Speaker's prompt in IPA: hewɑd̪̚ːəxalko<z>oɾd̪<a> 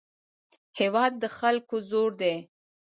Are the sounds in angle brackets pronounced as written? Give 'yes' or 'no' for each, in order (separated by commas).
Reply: yes, no